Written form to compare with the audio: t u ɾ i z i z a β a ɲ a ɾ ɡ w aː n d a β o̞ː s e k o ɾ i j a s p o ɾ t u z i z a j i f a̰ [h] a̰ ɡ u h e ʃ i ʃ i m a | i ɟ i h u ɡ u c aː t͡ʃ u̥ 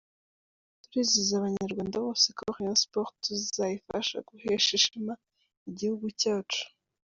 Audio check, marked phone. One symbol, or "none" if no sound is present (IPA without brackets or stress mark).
ʃ